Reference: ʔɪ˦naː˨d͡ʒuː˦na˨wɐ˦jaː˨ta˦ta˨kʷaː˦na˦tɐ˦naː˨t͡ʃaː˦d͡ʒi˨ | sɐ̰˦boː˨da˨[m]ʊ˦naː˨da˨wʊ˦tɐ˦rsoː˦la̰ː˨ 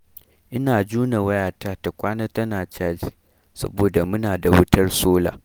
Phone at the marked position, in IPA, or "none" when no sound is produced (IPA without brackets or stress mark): m